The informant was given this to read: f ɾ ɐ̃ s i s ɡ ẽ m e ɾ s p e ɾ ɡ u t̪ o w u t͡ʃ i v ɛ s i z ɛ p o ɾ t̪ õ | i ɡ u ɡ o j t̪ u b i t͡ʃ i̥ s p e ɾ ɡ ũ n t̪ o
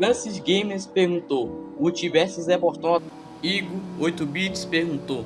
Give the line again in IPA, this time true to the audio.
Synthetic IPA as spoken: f ɾ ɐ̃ s i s ɡ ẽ m e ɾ s p e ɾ ɡ ũ t̪ o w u t͡ʃ i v ɛ s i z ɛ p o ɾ t̪ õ | i ɡ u o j t̪ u b i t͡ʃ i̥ s p e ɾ ɡ ũ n t̪ o